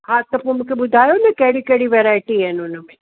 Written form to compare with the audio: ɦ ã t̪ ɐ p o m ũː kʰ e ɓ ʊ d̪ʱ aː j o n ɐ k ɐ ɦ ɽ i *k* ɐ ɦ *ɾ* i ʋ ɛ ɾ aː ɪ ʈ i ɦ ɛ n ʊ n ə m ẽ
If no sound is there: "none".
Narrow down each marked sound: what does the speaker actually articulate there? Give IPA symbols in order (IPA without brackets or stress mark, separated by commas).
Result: k, ɽ